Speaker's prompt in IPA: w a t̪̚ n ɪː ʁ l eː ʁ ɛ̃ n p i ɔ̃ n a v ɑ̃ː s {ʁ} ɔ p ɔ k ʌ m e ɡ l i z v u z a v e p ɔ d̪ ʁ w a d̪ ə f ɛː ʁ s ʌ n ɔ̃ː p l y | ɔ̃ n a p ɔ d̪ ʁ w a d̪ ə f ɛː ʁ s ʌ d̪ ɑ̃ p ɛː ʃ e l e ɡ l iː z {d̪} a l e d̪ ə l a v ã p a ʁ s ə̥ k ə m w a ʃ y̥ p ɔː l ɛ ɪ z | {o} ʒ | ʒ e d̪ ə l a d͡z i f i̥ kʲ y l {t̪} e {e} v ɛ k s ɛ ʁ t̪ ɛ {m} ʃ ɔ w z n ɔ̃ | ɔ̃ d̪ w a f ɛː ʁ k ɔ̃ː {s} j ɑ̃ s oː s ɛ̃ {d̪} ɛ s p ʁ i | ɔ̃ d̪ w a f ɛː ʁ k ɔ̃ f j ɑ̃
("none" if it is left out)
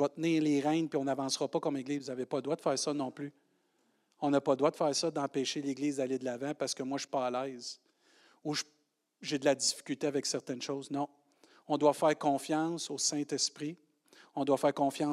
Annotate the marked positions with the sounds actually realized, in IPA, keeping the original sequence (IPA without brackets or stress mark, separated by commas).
ʁ, d̪, u, t̪, a, n, f, t̪